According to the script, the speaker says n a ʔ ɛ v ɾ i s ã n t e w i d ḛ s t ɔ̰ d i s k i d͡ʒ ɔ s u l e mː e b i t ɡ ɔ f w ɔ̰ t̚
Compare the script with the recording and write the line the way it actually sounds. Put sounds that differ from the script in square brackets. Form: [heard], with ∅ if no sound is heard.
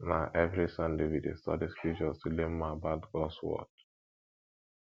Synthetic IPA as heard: n a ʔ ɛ v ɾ i s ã n [d] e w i d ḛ s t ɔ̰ d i s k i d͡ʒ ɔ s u l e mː [a] b [a] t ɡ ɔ [s] w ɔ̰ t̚